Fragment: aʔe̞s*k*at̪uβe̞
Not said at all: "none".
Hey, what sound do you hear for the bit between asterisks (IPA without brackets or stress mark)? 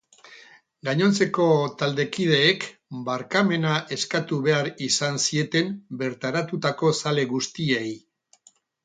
k